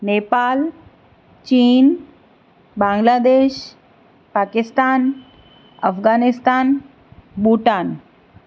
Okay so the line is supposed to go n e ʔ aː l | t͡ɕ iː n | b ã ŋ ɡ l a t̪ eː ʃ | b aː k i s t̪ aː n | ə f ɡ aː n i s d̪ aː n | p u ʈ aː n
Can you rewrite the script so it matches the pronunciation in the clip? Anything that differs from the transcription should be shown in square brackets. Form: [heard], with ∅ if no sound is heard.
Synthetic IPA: n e [p] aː l | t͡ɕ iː n | b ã ŋ ɡ l a [d̪] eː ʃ | [p] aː k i s t̪ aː n | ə f ɡ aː n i s [t̪] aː n | [b] u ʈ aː n